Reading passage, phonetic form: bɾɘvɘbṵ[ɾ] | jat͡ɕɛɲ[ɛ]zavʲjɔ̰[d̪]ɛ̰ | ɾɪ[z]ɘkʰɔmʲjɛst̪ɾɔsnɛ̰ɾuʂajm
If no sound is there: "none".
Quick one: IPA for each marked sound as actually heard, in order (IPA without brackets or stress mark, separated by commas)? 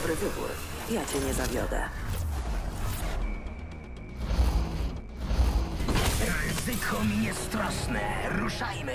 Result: ɾ, ɛ, d̪, z